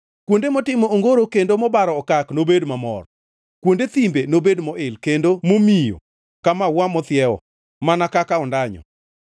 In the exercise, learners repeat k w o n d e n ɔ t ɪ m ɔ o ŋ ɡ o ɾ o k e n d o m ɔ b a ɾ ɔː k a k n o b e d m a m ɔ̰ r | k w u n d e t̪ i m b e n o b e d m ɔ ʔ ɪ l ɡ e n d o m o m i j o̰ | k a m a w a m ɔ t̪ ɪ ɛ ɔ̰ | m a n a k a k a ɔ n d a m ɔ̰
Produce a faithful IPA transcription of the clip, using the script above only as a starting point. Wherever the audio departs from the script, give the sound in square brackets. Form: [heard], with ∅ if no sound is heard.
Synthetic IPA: k w o n d e [m] ɔ t ɪ m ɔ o ŋ ɡ o ɾ o k e n d o m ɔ b a ɾ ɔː k a k n o b e d m a m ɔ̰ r | k w [o] n d e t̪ i m b e n o b e d m ɔ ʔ ɪ l [k] e n d o m o m i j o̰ | k a m a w a m ɔ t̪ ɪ ɛ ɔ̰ | m a n a k a k a ɔ n d a [ɲ] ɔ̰